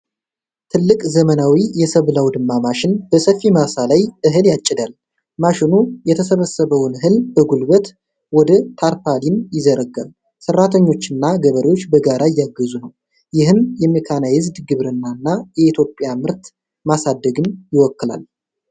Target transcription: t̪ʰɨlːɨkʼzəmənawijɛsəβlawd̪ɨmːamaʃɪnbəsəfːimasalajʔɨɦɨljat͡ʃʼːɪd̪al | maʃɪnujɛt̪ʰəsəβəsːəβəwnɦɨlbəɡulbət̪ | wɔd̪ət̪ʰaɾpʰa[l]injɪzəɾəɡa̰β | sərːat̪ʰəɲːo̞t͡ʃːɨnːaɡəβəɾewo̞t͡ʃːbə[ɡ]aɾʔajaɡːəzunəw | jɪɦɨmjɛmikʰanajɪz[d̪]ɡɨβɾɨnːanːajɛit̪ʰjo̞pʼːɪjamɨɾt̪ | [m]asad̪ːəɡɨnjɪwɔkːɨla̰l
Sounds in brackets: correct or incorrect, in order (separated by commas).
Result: correct, correct, correct, correct